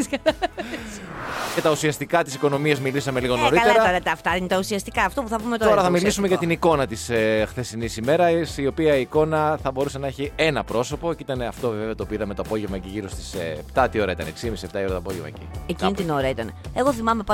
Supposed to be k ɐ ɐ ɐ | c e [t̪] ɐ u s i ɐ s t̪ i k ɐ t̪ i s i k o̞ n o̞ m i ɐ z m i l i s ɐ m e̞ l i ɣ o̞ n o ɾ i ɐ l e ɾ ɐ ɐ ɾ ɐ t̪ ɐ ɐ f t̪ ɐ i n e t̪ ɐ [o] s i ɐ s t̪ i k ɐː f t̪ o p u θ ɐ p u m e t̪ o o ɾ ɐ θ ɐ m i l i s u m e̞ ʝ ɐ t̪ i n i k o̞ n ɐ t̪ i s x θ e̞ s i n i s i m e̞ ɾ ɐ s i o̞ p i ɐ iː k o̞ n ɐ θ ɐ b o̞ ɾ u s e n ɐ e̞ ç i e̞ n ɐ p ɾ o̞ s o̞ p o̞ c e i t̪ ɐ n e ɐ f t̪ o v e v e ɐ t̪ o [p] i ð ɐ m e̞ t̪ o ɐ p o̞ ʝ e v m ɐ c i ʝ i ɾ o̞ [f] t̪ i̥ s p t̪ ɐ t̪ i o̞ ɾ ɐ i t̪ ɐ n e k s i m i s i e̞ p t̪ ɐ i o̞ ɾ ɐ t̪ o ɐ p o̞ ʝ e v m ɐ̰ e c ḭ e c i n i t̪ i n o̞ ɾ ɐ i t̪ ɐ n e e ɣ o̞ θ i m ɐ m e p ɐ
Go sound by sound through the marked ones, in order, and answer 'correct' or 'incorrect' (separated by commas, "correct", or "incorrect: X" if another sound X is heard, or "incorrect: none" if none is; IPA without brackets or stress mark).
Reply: correct, incorrect: u, correct, incorrect: s